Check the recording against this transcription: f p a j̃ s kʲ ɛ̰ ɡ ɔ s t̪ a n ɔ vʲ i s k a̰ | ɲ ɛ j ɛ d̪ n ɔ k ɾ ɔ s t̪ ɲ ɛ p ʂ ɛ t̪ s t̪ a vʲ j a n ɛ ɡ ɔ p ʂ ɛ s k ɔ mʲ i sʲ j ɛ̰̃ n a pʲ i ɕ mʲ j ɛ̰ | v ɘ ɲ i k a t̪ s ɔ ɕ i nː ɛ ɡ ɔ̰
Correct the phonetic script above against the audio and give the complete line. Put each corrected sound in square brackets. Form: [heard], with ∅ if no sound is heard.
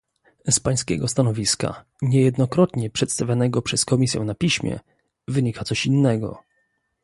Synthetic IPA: [s] p a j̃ s kʲ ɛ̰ ɡ ɔ s t̪ a n ɔ vʲ i s k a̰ | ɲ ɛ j ɛ d̪ n ɔ k ɾ ɔ [∅] t̪ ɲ ɛ p ʂ ɛ t̪ s t̪ a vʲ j a n ɛ ɡ ɔ p ʂ ɛ s k ɔ mʲ i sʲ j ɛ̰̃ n a pʲ i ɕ mʲ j ɛ̰ | v ɘ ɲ i k a t̪ s ɔ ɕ i nː ɛ ɡ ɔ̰